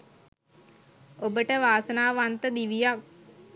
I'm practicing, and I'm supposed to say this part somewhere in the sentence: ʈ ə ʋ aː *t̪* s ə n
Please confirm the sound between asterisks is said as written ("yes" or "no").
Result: no